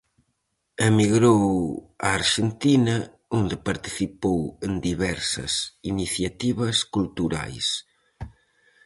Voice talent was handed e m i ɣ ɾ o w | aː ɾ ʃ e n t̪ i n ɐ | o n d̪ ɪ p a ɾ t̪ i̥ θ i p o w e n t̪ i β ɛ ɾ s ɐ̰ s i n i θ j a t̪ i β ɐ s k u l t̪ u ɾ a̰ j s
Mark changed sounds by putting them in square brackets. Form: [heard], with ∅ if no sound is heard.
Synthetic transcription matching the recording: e m i ɣ ɾ o w | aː ɾ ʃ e n t̪ i n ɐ | o n d̪ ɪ p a ɾ t̪ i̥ θ i p o w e n [d̪] i β ɛ ɾ s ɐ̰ s i n i θ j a t̪ i β ɐ s k u l t̪ u ɾ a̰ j s